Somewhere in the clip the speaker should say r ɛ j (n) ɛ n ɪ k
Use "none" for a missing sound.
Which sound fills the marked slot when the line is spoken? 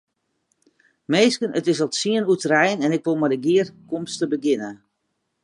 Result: n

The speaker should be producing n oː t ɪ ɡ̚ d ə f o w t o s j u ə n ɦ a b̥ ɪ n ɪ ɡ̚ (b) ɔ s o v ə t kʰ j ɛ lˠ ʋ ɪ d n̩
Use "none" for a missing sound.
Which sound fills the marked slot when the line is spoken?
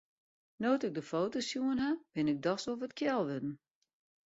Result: d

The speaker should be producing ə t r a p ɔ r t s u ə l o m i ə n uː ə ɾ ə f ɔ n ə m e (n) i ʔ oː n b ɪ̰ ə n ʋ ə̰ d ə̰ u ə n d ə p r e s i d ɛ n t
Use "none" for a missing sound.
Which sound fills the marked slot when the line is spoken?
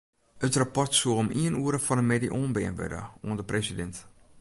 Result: d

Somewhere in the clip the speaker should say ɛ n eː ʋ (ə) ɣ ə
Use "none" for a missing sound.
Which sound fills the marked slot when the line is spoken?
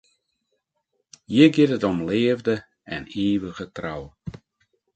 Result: ə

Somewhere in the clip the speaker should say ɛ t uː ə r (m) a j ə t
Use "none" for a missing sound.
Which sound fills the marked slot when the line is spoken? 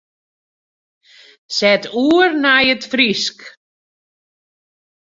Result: n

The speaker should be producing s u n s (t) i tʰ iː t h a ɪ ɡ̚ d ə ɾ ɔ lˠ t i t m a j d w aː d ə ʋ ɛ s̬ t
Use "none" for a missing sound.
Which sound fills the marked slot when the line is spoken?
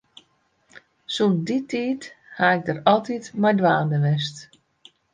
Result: d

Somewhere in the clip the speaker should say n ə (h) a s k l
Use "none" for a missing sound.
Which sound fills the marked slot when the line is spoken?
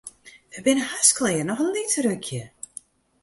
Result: h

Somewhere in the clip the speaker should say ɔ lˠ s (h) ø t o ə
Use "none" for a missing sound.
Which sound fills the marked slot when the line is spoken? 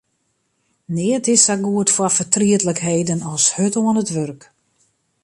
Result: h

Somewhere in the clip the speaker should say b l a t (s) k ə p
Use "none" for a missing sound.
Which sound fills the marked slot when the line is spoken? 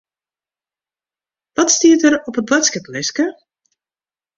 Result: s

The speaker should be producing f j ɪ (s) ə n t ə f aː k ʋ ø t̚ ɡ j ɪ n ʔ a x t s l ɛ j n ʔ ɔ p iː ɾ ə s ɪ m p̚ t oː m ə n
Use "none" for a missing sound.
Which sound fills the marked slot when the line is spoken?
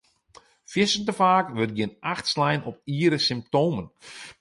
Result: s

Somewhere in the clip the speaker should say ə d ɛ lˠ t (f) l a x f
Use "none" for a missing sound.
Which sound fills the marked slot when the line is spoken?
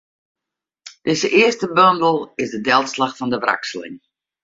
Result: s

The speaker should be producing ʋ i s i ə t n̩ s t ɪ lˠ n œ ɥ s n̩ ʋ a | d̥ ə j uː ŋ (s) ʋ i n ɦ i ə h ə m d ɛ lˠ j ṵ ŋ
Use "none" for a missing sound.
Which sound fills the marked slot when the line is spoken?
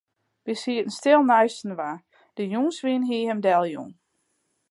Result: s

